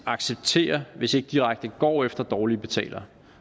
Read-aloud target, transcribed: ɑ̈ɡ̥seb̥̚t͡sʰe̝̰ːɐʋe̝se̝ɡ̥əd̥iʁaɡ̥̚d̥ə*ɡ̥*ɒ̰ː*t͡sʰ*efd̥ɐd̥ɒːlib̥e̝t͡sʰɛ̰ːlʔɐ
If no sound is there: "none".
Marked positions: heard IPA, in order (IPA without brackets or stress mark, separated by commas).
ɡ̥, none